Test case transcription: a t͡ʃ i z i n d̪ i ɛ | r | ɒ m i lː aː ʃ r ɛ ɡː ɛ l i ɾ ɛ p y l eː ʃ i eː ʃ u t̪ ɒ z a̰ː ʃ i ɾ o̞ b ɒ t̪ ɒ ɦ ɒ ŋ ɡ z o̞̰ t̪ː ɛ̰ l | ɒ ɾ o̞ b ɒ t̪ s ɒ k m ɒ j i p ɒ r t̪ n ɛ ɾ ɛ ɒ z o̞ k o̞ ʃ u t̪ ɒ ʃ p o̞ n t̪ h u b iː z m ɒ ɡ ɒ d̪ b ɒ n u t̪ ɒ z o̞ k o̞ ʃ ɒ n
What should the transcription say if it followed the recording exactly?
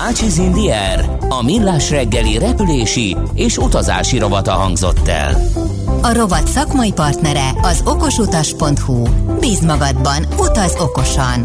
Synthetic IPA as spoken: a t͡ʃ i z i n d̪ i ɛ | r | ɒ m i lː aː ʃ r ɛ ɡː ɛ l i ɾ ɛ p y l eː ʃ i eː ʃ u t̪ ɒ z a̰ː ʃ i ɾ o̞ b ɒ t̪ ɒ ɦ ɒ ŋ ɡ z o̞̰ t̪ː ɛ̰ l | ɒ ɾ o̞ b ɒ t̪ s ɒ k m ɒ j i p ɒ r t̪ n ɛ ɾ ɛ ɒ z o̞ k o̞ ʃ u t̪ ɒ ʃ p o̞ n t̪ h u b iː z m ɒ ɡ ɒ d̪ b ɒ n u t̪ ɒ z o̞ k o̞ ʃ ɒ n